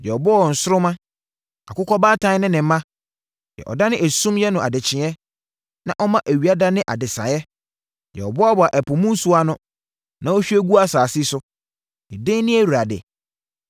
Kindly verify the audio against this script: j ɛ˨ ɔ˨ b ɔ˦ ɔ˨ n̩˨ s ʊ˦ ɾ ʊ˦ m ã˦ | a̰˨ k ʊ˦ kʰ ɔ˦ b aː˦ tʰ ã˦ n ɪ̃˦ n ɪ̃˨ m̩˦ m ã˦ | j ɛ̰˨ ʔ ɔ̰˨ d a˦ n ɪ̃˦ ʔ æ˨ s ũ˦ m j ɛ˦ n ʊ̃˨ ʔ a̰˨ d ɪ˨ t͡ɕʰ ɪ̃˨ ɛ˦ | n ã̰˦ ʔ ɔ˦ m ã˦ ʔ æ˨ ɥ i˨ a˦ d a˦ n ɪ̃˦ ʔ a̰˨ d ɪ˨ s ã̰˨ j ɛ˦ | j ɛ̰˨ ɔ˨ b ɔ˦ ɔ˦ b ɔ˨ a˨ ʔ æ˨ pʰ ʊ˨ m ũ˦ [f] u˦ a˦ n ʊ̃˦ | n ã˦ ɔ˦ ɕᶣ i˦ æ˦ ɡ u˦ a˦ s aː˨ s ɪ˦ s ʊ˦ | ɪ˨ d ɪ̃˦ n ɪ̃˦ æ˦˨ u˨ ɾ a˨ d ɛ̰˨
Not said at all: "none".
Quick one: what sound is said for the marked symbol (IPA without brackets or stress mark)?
s